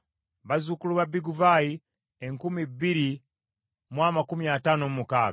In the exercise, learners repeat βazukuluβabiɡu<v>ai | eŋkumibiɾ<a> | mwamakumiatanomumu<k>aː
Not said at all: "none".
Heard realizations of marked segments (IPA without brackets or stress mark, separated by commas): v, i, k